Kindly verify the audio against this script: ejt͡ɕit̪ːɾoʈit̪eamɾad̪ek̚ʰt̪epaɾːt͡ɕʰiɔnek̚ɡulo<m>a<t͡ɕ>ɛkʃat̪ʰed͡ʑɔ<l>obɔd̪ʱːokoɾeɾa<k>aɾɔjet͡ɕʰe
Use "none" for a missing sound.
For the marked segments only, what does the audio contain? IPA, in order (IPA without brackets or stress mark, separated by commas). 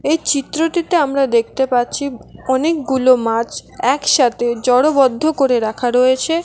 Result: m, t͡ɕ, ɽ, kʰ